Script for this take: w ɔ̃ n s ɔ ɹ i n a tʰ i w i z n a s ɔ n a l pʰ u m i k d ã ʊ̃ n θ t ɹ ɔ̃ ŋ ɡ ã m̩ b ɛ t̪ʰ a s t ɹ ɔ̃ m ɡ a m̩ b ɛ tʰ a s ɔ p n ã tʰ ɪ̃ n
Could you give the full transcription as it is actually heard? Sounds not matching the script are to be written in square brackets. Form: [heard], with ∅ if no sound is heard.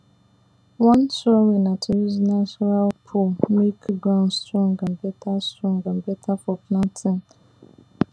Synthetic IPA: w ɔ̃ n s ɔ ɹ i n a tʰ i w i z n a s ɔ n a l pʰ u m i k [ɡ] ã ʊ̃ n [s] t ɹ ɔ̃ ŋ ɡ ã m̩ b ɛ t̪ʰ a s t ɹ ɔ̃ [ŋ] ɡ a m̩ b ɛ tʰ a [f] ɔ p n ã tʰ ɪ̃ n